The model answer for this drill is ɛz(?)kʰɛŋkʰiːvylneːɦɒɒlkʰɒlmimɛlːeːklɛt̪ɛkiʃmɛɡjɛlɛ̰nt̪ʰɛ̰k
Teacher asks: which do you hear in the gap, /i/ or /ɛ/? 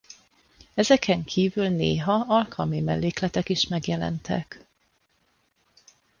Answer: ɛ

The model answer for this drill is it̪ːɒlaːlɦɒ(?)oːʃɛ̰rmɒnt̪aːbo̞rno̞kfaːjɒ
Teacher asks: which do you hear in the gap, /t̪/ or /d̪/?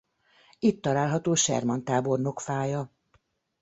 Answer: t̪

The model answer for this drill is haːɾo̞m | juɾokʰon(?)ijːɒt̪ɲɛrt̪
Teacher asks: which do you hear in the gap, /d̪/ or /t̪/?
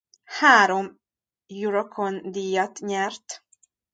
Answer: d̪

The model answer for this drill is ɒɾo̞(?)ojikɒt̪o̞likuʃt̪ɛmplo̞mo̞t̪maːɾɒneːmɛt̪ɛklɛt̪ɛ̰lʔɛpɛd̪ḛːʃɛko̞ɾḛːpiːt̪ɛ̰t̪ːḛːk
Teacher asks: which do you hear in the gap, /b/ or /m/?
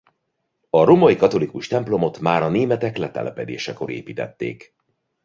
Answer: m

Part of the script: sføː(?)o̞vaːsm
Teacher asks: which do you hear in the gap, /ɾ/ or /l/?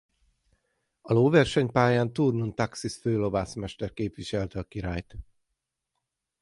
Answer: l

